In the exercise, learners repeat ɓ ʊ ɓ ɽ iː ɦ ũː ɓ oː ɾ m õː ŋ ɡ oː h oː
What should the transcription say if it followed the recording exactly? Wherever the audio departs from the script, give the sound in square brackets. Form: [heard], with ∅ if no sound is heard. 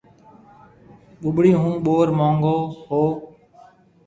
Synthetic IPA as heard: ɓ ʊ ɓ ɽ iː ɦ ũː ɓ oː ɾ m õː ŋ ɡ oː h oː